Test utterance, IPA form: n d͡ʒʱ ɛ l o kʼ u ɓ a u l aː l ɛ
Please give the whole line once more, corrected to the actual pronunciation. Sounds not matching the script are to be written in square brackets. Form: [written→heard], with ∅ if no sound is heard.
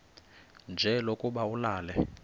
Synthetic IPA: n d͡ʒʱ ɛ l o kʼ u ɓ a u l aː l ɛ